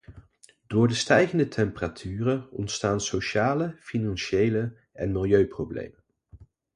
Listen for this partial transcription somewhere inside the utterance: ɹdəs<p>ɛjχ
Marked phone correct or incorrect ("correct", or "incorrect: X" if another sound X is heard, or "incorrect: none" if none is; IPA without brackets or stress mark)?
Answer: incorrect: t